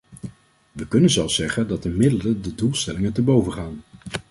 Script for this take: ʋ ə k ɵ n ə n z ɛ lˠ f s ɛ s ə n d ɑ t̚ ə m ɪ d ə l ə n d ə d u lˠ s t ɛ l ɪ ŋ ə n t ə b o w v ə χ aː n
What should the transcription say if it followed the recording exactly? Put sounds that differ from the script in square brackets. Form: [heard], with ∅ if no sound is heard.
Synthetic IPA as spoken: ʋ ə k ɵ n ə n z ɛ lˠ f s ɛ [χ] ə n d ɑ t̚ ə m ɪ d ə l ə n d ə d u lˠ s t ɛ l ɪ ŋ ə n t ə b o w v ə χ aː n